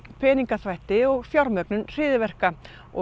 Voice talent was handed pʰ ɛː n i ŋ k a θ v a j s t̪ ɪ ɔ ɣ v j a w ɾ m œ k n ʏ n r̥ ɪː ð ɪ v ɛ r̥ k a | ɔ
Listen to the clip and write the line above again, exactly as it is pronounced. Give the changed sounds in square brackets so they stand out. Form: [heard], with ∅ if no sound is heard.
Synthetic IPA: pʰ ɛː n i ŋ k a θ v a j [h] t̪ ɪ ɔ ɣ [f] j a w ɾ m œ k n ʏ n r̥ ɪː ð ɪ v ɛ r̥ k a | ɔ